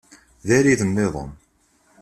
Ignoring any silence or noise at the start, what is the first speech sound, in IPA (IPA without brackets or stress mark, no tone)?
ð